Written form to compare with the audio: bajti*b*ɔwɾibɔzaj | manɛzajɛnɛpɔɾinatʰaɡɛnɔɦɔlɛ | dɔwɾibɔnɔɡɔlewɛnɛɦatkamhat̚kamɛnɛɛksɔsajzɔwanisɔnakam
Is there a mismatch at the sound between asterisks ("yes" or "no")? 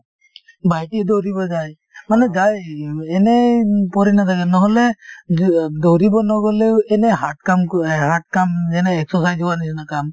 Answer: yes